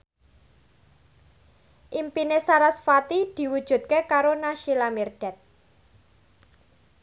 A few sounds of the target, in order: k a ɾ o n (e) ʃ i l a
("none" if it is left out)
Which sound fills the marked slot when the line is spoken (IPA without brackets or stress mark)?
a